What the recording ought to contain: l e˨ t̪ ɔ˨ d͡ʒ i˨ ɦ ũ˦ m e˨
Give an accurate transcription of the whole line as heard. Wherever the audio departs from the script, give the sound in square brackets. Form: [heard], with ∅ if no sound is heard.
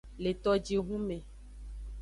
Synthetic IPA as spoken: l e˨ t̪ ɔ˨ d͡ʒ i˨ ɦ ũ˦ m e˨